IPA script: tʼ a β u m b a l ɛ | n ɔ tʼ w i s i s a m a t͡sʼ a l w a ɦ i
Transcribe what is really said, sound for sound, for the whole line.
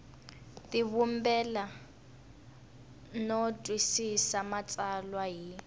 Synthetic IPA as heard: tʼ i β u m b ɛ l a | n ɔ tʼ w i s i s a m a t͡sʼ a l w a ɦ i